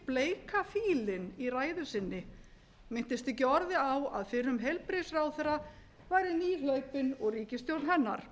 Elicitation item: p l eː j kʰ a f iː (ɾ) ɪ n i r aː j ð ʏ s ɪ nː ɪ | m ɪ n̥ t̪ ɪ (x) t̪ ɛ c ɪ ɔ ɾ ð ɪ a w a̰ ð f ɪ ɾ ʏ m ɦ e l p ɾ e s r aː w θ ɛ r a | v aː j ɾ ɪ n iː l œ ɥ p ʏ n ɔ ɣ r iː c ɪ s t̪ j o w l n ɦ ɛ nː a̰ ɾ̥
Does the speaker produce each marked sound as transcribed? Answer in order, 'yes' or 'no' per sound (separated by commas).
no, no